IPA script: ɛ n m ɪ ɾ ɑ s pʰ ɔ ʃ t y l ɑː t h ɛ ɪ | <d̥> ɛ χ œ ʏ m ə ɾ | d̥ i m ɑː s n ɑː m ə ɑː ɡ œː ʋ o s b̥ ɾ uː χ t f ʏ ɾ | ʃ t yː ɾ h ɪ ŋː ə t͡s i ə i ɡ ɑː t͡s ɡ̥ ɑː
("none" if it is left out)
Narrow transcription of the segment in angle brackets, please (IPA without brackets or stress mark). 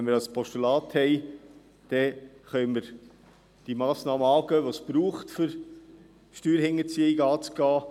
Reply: d̥